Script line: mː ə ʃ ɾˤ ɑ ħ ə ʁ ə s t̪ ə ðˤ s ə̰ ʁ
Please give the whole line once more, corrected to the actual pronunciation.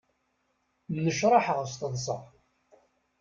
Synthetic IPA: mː ə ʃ ɾˤ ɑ ħ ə ʁ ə s t̪ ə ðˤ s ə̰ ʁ